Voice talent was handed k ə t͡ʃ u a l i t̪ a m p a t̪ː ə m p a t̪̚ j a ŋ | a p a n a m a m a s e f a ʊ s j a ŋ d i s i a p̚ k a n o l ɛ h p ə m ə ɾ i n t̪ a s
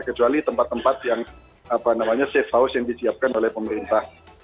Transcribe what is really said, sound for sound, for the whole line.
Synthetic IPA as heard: k ə t͡ʃ u a l i t̪ ə m p a t̪ː ə m p a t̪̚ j a ŋ | a p a n a m a ɲ a s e f a ʊ s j a ŋ d i s i a p̚ k a n o l ɛ h p ə m ə ɾ i n t̪ a h